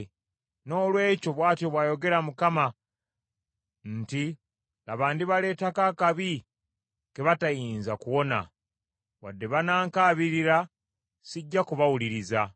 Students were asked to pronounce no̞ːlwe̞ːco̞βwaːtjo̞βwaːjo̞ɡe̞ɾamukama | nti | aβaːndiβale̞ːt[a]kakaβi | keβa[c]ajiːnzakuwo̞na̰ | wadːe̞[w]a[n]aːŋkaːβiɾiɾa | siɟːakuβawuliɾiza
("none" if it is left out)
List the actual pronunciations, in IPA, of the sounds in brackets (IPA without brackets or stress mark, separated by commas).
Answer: a, t, β, n